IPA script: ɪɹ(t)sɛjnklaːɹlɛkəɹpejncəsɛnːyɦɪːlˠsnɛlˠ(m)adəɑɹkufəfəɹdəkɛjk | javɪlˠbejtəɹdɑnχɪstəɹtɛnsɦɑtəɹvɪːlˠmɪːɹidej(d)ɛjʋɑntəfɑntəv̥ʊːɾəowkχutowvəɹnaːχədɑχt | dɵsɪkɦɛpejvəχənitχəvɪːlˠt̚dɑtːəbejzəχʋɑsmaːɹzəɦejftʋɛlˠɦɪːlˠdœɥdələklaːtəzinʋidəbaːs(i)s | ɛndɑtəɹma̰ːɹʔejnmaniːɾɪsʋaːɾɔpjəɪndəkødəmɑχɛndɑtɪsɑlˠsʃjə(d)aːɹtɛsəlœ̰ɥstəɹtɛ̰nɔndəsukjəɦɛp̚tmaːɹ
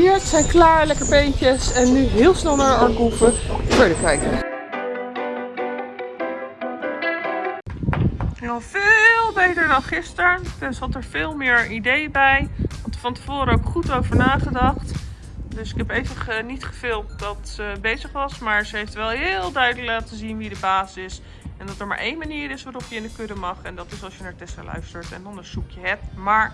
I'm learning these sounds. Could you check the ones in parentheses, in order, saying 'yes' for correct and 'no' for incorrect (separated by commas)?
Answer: yes, no, no, no, no